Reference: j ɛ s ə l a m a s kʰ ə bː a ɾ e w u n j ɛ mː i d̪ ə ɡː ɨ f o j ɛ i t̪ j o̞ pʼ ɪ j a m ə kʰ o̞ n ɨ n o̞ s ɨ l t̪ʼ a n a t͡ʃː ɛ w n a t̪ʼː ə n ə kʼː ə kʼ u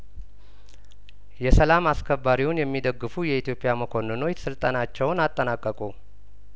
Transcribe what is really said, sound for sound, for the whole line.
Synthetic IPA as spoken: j ɛ s ə l a m a s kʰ ə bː a ɾ i w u n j ɛ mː i d̪ ə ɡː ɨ f u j ɛ i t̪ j o̞ pʼ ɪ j a m ə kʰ o̞ n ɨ n o̞ s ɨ l t̪ʼ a n a t͡ʃː ɛ w n a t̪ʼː ə n a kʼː ə kʼ u